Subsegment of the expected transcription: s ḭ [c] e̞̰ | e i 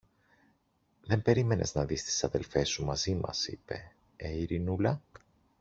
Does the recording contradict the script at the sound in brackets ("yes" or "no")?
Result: yes